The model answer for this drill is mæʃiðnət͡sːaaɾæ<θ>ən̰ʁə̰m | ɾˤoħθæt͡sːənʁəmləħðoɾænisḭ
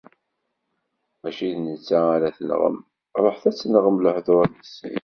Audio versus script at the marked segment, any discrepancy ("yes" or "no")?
no